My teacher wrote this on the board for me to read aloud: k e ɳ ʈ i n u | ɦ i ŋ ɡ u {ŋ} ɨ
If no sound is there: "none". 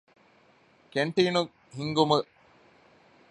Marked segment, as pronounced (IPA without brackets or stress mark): m